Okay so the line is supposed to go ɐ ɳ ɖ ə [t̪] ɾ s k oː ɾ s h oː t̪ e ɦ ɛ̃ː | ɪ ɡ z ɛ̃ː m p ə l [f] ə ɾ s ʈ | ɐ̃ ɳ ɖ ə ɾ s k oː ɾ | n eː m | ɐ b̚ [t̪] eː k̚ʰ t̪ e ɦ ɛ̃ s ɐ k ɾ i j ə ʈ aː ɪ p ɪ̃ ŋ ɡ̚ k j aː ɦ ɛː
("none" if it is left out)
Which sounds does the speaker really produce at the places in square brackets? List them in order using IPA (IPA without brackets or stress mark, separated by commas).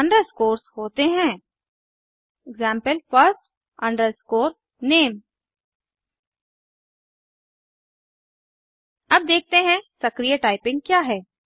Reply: none, f, d̪